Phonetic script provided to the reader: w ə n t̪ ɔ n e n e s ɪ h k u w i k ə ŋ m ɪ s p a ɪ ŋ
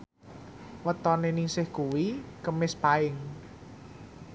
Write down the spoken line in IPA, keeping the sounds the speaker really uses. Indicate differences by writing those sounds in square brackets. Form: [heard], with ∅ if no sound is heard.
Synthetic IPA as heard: w ə [∅] t̪ ɔ n e n [i] s ɪ h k u w i k ə [∅] m ɪ s p a ɪ ŋ